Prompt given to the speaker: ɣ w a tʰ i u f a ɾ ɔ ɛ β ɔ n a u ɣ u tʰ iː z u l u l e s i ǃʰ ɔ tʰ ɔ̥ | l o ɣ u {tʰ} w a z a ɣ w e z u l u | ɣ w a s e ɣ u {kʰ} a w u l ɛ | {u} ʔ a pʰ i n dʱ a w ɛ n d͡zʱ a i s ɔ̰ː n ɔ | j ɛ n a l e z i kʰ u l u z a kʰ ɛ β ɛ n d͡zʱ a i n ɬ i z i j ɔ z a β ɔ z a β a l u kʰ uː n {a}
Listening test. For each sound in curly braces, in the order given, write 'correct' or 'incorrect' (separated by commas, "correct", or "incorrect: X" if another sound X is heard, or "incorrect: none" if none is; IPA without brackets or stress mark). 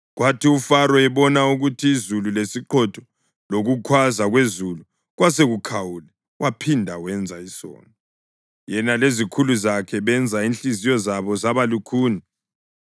incorrect: kʰ, correct, incorrect: w, incorrect: i